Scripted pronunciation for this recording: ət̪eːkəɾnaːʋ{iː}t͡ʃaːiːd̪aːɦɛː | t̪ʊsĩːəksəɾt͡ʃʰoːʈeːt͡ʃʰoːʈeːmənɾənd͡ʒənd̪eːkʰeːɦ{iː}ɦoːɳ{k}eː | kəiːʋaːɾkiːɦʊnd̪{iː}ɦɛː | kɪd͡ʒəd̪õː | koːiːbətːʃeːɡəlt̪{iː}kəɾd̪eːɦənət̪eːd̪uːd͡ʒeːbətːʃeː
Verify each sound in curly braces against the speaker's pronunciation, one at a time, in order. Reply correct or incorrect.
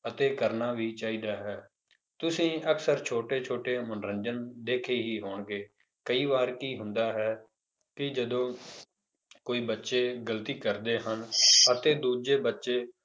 correct, correct, incorrect, incorrect, correct

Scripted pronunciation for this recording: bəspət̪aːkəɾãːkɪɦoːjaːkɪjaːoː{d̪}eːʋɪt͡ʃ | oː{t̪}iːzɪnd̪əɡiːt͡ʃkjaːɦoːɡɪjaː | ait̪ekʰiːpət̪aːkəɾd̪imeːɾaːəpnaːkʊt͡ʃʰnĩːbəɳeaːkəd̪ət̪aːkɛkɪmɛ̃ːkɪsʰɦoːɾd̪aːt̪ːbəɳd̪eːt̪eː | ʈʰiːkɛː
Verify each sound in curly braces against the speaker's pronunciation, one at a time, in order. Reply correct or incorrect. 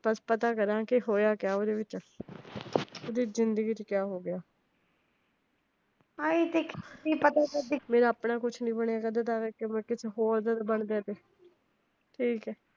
correct, incorrect

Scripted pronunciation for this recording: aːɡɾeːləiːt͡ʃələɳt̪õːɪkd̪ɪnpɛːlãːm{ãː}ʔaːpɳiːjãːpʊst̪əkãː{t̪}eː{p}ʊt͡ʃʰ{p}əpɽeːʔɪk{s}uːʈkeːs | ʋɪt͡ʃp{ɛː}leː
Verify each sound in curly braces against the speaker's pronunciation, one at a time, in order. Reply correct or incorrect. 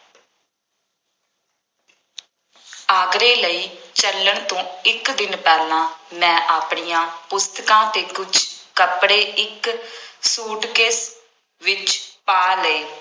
incorrect, correct, incorrect, incorrect, correct, incorrect

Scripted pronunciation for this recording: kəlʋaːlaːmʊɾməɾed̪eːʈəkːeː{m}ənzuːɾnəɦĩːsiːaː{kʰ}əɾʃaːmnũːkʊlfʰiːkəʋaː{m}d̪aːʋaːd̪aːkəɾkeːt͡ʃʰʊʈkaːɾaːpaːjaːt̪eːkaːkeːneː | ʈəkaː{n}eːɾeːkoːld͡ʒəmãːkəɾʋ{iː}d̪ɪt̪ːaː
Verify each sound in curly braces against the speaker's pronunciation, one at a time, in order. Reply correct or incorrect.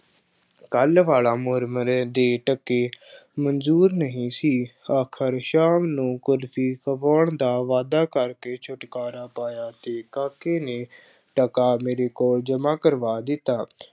correct, correct, incorrect, incorrect, incorrect

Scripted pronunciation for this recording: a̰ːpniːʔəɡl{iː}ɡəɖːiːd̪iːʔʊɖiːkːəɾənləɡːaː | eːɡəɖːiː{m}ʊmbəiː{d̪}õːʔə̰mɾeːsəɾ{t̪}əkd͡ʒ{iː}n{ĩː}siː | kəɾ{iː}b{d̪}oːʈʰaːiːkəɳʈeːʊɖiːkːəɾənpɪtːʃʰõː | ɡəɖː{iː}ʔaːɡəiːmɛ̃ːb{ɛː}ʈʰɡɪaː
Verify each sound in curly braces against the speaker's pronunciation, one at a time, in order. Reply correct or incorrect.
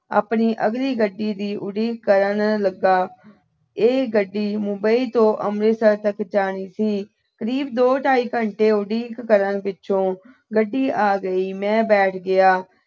correct, correct, incorrect, correct, incorrect, incorrect, correct, correct, correct, correct

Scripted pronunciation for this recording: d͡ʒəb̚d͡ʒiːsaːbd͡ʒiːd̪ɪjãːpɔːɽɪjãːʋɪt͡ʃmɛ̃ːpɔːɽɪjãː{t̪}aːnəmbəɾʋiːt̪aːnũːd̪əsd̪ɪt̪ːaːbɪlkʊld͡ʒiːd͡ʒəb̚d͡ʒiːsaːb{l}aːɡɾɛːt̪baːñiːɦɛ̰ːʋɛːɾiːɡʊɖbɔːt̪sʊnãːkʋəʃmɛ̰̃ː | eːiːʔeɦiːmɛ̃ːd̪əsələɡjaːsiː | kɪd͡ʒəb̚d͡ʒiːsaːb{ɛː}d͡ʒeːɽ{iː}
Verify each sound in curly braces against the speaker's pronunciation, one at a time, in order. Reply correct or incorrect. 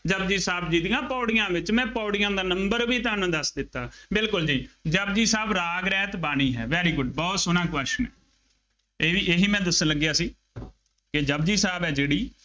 incorrect, incorrect, correct, correct

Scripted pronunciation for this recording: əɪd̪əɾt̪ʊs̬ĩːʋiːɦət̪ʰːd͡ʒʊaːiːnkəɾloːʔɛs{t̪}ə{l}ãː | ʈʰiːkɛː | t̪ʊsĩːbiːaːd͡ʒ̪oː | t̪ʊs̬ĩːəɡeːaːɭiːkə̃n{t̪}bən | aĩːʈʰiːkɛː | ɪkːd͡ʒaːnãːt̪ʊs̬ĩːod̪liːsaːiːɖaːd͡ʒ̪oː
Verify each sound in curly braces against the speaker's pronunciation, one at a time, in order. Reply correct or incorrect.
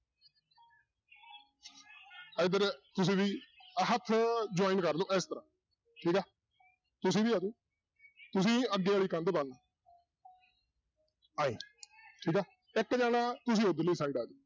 correct, incorrect, incorrect

